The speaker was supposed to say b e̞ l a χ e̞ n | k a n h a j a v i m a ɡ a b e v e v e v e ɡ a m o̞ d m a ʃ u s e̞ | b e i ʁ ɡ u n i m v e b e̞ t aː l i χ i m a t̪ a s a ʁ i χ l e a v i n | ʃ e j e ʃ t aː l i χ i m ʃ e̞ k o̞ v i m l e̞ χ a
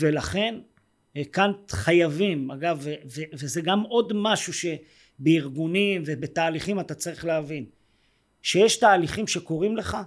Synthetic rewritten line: v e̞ l a χ e̞ n | k a n χ a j a v i m a ɡ a v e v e v e z e ɡ a m o̞ d m a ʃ u ʃ e̞ | b e i ʁ ɡ u n i m v e b e̞ t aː l i χ i m a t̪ a t͡s a ʁ i χ l e a v i n | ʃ e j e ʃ t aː l i χ i m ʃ e̞ k o̞ ʁ i m l e̞ χ a